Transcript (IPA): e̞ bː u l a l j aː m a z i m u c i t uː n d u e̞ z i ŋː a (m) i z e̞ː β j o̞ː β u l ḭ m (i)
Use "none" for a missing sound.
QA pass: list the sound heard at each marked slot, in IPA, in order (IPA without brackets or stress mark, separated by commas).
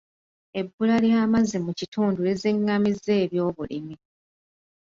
m, i